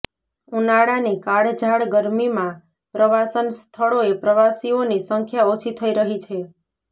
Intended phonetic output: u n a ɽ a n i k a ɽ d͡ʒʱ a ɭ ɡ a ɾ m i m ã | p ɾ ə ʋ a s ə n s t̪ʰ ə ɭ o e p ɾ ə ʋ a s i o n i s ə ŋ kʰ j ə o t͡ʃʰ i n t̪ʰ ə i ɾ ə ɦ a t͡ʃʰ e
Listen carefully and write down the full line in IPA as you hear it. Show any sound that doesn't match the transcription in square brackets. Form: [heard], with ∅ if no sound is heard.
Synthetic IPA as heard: u n a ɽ a n i k a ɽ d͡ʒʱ a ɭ ɡ [ə] ɾ m i m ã | p ɾ ə ʋ a s ə n s t̪ʰ ə ɭ o e p ɾ ə ʋ a s i o n i s ə ŋ kʰ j [a] o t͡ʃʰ i [∅] t̪ʰ ə i ɾ ə ɦ [i] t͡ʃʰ e